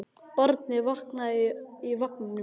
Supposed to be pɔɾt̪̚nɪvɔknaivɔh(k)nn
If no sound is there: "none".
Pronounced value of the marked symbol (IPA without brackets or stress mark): k